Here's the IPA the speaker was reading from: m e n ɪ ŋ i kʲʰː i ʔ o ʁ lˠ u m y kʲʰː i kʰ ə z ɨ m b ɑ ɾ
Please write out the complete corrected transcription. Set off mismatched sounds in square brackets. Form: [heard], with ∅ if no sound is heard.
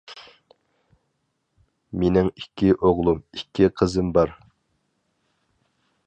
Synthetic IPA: m e n ɪ ŋ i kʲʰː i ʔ o ʁ lˠ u m [i] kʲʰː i [qʰ] ə z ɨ m b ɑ ɾ